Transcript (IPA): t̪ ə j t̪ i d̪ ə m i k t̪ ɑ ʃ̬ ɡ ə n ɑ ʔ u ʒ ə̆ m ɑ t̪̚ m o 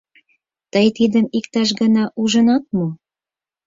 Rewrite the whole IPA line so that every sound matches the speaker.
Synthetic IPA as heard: t̪ ə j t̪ i d̪ ə m i k t̪ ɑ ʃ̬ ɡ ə n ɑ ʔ u ʒ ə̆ n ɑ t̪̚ m o